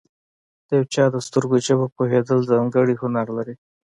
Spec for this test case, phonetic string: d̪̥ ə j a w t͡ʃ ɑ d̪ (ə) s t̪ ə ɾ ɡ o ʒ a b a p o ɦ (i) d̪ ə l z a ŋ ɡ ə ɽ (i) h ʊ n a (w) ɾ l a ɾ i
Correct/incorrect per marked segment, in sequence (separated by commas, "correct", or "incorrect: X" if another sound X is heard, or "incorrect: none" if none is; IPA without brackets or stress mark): correct, incorrect: e, correct, incorrect: none